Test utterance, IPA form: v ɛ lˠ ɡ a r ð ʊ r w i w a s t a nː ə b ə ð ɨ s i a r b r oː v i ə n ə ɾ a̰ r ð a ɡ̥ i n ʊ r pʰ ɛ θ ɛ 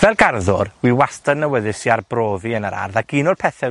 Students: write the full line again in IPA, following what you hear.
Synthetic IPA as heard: v ɛ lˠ ɡ a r ð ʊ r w i w a s t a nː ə w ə ð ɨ s i a r b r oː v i ə n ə ɾ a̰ r ð a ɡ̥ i n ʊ r pʰ ɛ θ ɛ

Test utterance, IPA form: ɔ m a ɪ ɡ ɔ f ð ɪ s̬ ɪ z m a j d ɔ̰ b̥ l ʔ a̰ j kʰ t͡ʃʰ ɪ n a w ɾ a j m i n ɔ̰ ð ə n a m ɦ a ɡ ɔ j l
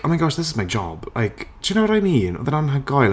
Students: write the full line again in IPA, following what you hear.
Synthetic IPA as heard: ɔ m a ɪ ɡ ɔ ʃ ð ɪ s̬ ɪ z m a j d͡ʒ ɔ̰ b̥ l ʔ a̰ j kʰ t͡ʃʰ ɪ n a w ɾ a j m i n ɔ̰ ð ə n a n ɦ a ɡ ɔ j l

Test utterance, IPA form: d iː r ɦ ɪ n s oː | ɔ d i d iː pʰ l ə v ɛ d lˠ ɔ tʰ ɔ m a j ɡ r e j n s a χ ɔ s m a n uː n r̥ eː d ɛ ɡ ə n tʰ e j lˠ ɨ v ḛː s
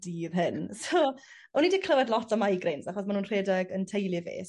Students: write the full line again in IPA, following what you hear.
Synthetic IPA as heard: d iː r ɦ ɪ n s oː | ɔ n i d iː kʰ l ə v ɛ d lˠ ɔ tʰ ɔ m a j ɡ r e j n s a χ ɔ s m a n uː n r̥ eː d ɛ ɡ ə n tʰ e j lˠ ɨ v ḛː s

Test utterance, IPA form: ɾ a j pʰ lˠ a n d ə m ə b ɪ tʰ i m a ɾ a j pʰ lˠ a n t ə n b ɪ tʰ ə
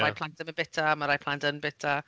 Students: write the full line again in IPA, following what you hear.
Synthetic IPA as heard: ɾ a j pʰ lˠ a n t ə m ə b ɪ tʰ a m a ɾ a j pʰ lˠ a n t ə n b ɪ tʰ a

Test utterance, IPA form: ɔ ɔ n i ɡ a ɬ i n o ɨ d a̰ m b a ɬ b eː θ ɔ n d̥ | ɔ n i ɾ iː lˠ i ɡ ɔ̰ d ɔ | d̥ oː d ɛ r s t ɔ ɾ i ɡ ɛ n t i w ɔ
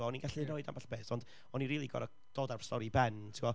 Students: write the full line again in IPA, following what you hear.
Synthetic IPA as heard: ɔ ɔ n i ɡ a ɬ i n o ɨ d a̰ m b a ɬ b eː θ ɔ n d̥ | ɔ n i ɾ iː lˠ i ɡ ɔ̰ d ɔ | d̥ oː d a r s t ɔ ɾ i b ɛ n tʰ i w ɔ

